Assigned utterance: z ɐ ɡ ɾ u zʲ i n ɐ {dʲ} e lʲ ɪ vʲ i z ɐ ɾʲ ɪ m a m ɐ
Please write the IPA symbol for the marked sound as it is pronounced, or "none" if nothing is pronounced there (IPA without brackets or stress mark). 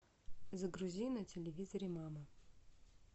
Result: tʲ